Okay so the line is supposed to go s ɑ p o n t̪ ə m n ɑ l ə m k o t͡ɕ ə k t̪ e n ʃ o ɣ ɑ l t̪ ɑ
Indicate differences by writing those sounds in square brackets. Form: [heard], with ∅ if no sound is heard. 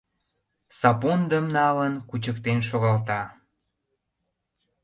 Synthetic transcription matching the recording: s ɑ p o n [d̪] ə m n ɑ l ə [n] k [u] t͡ɕ ə k t̪ e n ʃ o ɣ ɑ l t̪ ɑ

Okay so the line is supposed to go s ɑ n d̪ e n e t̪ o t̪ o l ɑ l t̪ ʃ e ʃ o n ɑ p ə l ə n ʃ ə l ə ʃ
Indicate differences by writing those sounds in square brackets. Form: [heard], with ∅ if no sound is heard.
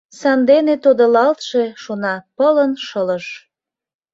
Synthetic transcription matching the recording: s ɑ n d̪ e n e t̪ o [d̪] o l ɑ l t̪ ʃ e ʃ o n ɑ p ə l ə n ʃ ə l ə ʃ

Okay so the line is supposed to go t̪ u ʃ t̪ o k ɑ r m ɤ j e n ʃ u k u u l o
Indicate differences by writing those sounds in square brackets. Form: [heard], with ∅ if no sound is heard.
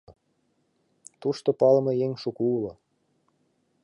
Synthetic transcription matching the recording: t̪ u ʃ t̪ o [p] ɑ [l] m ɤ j e [ŋ] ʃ u k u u l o

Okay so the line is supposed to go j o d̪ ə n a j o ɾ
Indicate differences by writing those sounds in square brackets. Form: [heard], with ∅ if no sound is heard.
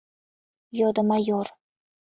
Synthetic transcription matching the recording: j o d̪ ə [m] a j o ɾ

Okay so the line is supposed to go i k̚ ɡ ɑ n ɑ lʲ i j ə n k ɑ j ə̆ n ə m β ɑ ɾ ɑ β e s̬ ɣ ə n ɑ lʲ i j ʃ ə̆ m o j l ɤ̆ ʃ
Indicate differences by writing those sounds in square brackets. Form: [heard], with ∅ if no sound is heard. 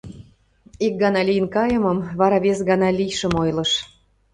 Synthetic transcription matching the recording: i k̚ ɡ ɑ n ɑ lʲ i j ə n k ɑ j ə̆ [m] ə m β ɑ ɾ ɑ β e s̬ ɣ [ɑ] n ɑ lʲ i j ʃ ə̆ m o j l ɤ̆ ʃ

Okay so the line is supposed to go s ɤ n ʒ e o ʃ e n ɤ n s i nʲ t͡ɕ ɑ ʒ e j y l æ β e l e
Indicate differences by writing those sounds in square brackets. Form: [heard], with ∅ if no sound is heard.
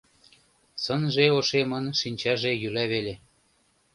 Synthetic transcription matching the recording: s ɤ n ʒ e o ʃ e [m] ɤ n [ʃ] i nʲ t͡ɕ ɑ ʒ e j y l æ β e l e

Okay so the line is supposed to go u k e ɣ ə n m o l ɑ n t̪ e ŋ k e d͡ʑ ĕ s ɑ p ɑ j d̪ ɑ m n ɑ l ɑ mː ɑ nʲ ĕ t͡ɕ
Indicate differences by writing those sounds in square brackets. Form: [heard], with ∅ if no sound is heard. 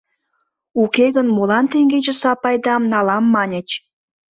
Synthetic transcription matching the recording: u k e ɣ ə n m o l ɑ n t̪ e ŋ [ɡ] e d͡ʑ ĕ s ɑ p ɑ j d̪ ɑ m n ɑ l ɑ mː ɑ nʲ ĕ t͡ɕ

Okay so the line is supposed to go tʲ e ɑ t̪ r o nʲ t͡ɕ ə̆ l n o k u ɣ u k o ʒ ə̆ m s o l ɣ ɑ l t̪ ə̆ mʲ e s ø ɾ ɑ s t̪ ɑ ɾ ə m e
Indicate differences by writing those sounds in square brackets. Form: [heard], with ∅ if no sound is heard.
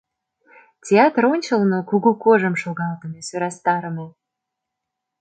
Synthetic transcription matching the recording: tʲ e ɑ t̪ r o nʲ t͡ɕ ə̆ l n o k u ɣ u k o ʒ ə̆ m [ʃ] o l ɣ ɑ l t̪ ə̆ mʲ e s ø ɾ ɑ s t̪ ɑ ɾ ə m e

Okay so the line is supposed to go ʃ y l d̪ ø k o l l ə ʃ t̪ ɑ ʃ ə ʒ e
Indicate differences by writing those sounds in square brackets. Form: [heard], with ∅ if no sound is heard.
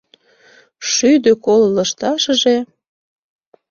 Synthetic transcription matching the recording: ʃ y [∅] d̪ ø k o l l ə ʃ t̪ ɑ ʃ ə ʒ e

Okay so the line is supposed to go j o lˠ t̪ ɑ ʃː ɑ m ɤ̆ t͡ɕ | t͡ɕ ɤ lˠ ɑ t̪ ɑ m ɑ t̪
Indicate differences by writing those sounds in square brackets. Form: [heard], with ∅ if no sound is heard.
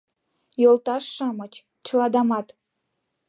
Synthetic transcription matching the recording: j o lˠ t̪ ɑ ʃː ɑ m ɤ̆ t͡ɕ | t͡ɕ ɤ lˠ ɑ [d̪] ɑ m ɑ t̪

